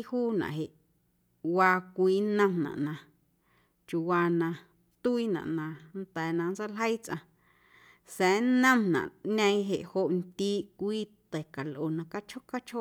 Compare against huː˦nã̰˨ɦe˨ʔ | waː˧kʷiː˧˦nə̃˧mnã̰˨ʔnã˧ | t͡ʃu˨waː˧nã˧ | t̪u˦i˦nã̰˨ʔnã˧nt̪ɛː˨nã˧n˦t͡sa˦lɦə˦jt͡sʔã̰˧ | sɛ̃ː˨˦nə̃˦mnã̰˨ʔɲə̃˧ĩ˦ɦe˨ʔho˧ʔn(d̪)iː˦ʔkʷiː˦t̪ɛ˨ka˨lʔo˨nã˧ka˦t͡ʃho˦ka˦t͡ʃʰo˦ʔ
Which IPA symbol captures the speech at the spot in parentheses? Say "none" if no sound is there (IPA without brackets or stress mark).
t̪